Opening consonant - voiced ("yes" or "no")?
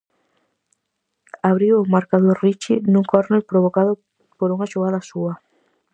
yes